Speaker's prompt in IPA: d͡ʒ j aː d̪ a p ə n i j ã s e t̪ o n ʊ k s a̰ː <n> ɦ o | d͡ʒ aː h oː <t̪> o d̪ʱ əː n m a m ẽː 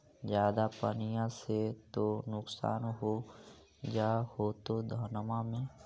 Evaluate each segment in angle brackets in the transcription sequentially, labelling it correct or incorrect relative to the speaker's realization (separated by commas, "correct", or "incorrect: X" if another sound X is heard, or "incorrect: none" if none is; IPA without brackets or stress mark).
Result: correct, correct